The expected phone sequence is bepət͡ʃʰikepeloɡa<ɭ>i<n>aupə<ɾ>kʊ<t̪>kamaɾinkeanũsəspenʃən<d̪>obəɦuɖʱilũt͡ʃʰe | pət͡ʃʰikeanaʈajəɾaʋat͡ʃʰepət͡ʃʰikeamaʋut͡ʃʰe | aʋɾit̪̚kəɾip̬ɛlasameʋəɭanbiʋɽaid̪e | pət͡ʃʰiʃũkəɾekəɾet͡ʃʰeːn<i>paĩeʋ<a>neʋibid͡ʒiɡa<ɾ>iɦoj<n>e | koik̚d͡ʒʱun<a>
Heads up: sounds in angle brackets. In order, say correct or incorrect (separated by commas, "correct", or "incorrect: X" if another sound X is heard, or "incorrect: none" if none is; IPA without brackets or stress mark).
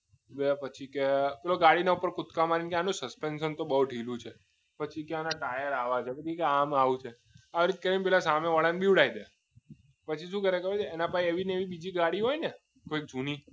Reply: incorrect: ɽ, correct, correct, correct, incorrect: t̪, incorrect: a, incorrect: i, incorrect: ɽ, correct, incorrect: i